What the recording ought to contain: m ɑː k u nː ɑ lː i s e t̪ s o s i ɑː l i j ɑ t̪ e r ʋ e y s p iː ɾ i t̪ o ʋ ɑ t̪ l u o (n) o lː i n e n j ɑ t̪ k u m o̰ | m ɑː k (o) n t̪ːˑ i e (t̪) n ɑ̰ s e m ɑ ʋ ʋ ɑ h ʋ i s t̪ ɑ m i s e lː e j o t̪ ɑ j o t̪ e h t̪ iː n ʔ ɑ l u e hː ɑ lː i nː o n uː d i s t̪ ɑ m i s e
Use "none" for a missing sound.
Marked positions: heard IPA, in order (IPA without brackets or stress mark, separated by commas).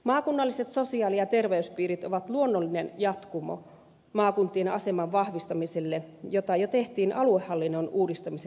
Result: nː, u, none